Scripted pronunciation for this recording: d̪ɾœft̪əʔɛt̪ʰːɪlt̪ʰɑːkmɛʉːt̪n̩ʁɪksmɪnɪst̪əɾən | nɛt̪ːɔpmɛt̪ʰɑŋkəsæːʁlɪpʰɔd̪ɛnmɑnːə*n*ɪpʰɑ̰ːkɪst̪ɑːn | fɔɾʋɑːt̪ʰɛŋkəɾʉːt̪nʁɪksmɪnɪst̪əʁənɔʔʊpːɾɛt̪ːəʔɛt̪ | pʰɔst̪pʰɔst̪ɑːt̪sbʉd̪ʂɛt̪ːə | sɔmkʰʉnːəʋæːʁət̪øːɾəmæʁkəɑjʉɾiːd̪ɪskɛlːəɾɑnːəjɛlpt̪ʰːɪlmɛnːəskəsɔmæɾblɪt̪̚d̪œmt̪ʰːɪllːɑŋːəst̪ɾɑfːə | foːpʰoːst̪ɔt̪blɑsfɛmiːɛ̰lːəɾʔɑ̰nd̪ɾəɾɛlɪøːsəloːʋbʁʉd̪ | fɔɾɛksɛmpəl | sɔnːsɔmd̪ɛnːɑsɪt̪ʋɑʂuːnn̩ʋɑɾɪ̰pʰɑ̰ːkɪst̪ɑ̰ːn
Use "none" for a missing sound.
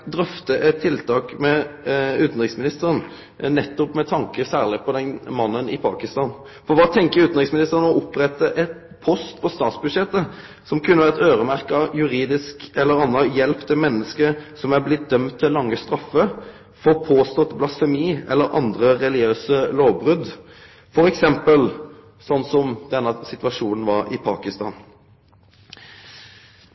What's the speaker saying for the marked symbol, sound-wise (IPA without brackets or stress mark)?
n